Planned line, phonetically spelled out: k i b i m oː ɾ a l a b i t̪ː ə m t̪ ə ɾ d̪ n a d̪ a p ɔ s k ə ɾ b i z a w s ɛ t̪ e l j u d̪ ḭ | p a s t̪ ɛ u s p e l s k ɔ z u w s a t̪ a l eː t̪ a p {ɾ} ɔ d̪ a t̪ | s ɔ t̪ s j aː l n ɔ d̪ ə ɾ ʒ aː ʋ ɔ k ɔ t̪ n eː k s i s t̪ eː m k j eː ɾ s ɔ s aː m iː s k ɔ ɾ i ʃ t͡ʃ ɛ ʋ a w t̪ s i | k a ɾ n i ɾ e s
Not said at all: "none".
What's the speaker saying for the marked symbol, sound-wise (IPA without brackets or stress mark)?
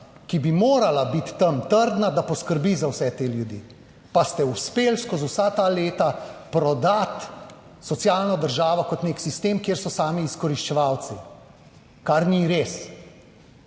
ɾ